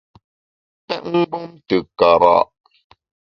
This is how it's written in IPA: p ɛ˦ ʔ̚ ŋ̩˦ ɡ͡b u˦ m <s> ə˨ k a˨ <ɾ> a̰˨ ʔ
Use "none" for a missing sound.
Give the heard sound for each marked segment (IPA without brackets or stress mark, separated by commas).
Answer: t, ɾ